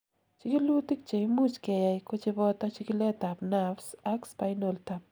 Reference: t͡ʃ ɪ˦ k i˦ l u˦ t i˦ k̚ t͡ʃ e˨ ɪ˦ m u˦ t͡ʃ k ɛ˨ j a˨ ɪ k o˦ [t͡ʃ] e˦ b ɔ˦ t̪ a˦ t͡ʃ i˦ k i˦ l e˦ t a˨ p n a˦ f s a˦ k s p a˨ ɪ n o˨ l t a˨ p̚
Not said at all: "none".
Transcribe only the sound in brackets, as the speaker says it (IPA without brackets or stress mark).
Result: t͡ʃ